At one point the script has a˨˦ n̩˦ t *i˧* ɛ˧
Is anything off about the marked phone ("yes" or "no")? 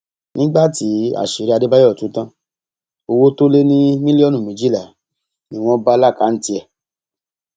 no